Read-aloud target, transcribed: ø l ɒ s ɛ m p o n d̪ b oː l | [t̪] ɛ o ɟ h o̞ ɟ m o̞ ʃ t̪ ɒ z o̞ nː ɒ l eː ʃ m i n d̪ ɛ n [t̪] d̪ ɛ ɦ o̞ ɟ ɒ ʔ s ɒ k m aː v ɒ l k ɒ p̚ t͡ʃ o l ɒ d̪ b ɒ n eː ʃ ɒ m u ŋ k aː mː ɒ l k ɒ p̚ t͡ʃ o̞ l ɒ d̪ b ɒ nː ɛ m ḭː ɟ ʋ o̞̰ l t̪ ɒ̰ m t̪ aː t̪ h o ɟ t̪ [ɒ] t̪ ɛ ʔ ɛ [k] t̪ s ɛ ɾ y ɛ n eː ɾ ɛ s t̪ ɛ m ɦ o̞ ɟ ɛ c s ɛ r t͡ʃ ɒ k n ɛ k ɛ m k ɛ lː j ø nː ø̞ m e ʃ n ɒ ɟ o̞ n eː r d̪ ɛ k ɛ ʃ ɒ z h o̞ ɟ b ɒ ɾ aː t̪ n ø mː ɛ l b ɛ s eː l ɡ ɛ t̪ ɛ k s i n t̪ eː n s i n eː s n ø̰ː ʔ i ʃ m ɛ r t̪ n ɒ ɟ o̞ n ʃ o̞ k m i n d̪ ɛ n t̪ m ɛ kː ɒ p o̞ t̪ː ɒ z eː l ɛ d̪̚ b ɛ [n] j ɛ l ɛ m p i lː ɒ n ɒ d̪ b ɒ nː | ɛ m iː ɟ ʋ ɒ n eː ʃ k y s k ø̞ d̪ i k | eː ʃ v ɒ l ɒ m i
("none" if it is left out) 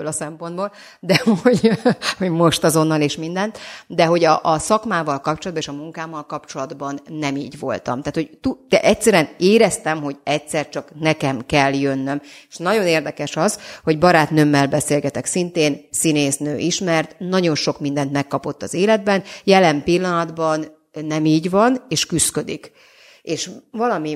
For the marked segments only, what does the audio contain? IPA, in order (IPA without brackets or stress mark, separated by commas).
d̪, t̪, u, c, n